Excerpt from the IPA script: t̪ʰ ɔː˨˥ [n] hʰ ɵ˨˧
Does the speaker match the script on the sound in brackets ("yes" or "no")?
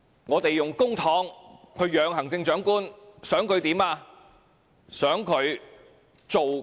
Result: no